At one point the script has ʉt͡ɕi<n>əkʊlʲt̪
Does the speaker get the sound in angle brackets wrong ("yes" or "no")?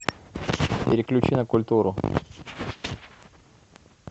no